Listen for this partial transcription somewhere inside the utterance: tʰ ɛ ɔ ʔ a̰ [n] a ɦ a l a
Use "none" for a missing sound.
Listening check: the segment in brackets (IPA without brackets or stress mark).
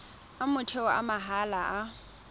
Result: m